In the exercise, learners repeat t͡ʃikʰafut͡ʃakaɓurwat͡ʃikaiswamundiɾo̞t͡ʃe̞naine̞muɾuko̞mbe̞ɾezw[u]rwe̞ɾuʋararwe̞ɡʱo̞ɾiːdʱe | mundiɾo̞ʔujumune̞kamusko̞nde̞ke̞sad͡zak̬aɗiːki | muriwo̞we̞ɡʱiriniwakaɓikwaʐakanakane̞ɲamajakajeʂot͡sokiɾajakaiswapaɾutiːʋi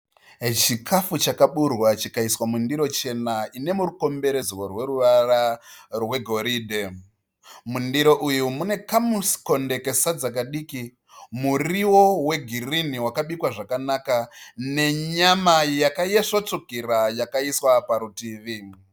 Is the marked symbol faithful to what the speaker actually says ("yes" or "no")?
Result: no